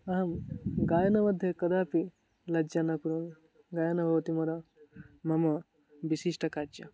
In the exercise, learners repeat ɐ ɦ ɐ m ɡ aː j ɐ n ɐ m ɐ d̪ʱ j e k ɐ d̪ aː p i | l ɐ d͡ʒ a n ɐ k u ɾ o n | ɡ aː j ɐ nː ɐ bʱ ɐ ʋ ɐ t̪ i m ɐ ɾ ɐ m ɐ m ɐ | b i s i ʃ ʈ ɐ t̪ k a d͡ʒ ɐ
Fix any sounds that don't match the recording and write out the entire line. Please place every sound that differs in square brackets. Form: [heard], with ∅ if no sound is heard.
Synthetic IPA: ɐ ɦ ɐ m ɡ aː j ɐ n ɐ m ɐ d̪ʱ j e k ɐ d̪ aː p i | l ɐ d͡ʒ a n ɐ k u ɾ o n | ɡ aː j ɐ [n] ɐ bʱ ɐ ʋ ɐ t̪ i m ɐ ɾ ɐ m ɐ m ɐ | b i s i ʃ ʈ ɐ [∅] k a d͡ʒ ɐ